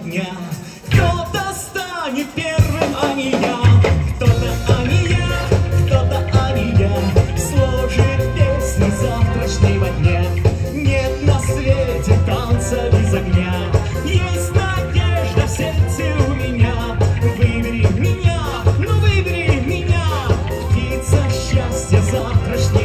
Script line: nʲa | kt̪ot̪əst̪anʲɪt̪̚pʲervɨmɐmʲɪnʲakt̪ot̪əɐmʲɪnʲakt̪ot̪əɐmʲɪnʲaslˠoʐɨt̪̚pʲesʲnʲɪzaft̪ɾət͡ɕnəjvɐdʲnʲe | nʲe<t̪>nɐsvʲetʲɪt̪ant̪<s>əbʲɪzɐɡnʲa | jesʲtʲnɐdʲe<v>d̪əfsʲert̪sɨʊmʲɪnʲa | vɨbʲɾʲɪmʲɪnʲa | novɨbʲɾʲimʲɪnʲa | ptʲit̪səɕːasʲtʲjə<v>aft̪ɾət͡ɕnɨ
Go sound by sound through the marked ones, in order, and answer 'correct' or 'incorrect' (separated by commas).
correct, correct, incorrect, incorrect